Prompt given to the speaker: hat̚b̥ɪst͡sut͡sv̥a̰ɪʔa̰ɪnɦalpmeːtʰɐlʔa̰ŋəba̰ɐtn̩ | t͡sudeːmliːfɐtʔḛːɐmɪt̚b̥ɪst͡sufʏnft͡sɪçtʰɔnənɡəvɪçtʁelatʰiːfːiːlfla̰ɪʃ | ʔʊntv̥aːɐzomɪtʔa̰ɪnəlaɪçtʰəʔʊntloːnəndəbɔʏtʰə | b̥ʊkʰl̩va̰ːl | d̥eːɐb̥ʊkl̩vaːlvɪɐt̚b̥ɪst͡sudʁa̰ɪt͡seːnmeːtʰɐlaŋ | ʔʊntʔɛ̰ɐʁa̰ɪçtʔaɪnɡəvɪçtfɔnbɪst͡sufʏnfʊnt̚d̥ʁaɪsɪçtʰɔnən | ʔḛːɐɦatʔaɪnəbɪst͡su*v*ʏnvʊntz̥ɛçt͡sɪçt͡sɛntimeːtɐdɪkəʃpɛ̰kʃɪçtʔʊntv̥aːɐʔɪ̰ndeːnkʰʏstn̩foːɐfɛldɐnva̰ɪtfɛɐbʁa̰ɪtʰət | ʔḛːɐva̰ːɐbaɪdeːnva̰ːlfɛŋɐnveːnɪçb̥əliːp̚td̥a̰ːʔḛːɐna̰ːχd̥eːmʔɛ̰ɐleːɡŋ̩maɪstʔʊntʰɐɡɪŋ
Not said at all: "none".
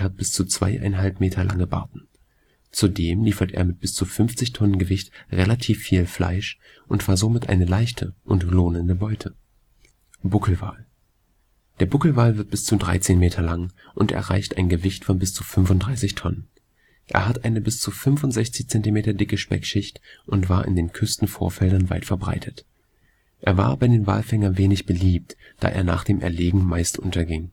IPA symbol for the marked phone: f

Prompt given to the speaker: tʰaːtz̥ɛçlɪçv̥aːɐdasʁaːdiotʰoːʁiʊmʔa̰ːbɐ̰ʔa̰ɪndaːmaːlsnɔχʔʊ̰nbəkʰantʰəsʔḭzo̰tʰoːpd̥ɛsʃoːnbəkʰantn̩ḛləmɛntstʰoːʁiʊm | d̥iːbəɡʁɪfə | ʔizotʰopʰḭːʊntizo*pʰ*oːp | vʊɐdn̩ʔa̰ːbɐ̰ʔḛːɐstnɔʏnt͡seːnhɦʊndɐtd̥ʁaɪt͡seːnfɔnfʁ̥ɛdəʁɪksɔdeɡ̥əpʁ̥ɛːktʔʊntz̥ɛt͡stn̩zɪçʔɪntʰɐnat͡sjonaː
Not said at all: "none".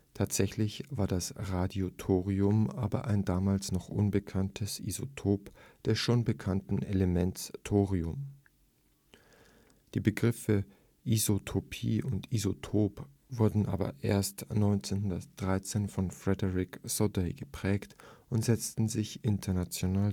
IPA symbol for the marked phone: tʰ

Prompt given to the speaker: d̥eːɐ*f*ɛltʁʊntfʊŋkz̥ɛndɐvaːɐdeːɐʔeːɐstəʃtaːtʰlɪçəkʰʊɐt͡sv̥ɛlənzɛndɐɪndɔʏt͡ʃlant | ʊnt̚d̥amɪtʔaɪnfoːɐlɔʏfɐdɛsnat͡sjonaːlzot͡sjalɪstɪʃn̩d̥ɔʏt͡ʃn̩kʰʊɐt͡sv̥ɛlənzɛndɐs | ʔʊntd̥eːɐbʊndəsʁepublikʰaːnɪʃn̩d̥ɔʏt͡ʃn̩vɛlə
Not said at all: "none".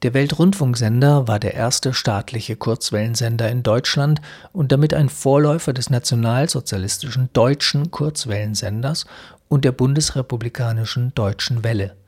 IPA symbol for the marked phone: v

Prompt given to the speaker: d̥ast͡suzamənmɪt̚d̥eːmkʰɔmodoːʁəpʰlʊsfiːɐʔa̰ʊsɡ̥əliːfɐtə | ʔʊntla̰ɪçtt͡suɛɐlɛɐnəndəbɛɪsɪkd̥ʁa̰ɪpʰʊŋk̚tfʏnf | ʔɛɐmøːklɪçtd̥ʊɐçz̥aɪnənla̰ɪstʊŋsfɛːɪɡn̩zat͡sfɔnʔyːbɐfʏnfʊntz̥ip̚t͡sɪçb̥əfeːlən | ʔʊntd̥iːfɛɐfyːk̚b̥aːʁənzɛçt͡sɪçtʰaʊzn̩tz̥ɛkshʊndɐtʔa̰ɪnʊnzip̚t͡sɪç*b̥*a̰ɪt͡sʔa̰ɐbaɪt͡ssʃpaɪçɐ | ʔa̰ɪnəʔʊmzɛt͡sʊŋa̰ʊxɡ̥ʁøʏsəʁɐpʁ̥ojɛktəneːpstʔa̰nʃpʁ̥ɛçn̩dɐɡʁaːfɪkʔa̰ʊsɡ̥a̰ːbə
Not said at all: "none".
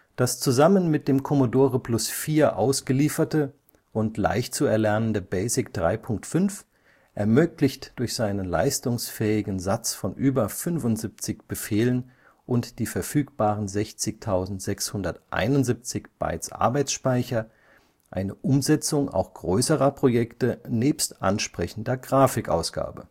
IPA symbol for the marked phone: b̥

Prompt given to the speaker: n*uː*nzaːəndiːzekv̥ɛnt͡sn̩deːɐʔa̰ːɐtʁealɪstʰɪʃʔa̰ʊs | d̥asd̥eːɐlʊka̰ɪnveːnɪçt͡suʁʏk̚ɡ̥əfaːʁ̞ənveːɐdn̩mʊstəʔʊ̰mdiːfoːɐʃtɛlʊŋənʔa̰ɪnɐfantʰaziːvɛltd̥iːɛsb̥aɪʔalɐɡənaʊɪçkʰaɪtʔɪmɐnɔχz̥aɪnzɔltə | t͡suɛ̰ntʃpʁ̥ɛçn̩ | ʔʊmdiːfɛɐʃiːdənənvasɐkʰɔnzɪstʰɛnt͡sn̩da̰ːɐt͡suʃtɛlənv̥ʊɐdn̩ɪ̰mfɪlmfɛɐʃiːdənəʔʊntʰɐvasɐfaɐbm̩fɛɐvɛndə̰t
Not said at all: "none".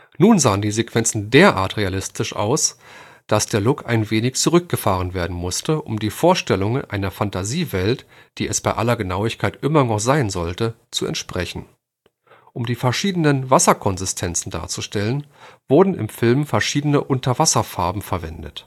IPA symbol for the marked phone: uː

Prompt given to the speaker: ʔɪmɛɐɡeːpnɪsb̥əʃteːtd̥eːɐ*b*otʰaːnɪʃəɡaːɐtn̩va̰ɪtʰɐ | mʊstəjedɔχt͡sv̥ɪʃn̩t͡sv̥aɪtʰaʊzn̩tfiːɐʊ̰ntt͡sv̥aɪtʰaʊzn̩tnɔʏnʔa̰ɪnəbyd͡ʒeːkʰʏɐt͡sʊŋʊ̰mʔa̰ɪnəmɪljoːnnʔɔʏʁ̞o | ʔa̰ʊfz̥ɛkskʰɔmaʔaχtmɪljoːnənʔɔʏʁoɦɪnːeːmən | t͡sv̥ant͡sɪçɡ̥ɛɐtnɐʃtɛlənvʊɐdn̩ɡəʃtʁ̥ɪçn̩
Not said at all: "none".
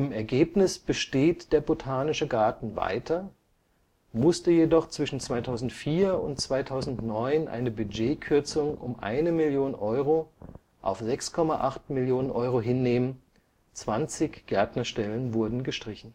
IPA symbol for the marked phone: b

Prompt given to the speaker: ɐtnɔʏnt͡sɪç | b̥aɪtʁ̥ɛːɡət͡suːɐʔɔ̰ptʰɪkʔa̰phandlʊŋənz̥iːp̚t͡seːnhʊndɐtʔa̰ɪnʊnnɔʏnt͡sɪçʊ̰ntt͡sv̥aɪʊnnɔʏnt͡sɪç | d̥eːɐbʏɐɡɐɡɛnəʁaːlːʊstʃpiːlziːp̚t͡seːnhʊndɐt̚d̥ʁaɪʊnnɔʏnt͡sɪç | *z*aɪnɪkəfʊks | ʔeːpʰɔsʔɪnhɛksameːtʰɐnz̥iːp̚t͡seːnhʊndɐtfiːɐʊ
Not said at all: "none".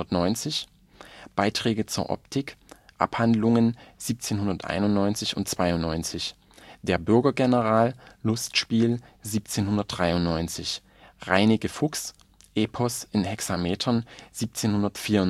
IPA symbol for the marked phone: ʁ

